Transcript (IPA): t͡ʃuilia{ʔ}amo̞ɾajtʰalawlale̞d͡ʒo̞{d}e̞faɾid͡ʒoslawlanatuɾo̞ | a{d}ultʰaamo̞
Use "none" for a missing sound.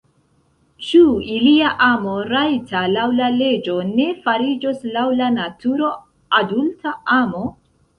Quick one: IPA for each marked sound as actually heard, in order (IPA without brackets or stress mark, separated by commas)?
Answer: ʔ, n, d